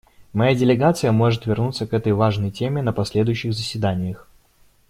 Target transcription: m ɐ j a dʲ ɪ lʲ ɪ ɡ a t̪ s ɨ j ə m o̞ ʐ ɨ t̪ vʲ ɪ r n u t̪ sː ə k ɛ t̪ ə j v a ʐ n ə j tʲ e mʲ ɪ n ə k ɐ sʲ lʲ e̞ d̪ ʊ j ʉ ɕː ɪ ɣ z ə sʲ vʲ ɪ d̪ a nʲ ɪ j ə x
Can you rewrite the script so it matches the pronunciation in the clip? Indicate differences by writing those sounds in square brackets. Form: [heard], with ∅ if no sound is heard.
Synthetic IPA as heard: m ɐ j a dʲ ɪ lʲ ɪ ɡ a t̪ s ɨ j ə m o̞ ʐ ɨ t̪ vʲ ɪ r n u t̪ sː ə k ɛ t̪ ə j v a ʐ n ə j tʲ e mʲ ɪ n ə [p] ɐ sʲ lʲ e̞ d̪ ʊ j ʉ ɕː ɪ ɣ z ə sʲ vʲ ɪ d̪ a nʲ ɪ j ə x